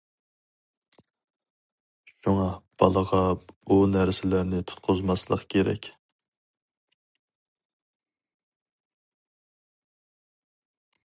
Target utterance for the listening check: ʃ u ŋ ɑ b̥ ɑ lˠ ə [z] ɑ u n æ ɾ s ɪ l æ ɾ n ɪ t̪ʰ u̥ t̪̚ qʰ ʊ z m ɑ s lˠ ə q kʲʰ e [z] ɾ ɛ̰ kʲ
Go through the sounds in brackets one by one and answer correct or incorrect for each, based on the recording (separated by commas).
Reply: incorrect, incorrect